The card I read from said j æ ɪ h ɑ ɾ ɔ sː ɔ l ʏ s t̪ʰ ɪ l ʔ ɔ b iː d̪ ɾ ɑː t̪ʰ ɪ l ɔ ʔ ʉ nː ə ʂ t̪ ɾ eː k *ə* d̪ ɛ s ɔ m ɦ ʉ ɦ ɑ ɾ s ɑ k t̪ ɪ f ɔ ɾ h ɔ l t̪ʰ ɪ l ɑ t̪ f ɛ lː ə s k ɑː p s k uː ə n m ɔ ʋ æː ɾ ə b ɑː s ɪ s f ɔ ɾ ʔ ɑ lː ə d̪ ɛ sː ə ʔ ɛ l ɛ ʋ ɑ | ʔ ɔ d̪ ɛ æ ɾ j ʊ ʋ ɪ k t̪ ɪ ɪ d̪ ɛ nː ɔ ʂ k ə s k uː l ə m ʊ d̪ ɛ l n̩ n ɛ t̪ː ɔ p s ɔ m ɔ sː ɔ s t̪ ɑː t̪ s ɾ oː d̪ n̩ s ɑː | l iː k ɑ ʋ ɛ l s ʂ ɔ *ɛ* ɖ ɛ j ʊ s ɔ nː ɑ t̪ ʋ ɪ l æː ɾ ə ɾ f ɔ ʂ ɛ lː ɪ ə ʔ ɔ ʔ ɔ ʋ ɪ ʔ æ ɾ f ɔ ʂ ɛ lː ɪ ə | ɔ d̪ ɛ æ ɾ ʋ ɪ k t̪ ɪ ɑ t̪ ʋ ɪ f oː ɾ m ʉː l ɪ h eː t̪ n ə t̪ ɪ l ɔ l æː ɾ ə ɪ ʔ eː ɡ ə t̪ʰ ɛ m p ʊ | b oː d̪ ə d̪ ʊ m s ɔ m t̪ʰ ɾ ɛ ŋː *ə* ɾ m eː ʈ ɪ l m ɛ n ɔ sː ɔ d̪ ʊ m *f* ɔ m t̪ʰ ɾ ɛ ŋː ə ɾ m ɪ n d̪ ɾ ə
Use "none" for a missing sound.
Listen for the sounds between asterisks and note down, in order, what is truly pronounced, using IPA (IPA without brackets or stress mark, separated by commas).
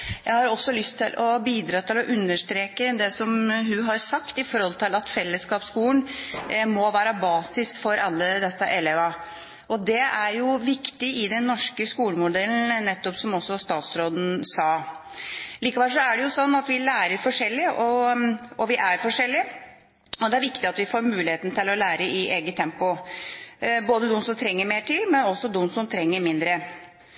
ə, æ, ə, s